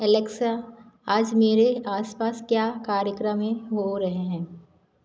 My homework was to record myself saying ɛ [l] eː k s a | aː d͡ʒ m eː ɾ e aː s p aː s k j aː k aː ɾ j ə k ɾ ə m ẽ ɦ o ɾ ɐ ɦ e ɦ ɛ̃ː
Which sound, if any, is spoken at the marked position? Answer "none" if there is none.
l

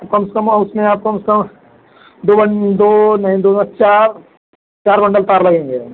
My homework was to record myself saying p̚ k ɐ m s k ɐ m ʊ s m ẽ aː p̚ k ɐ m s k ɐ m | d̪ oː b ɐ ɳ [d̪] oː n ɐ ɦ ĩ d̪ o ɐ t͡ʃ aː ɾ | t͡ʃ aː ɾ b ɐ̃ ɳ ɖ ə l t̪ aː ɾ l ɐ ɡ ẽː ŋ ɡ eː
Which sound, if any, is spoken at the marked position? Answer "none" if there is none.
d̪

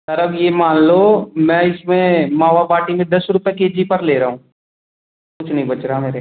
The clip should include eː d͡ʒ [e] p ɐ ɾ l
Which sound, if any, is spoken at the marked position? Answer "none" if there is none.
i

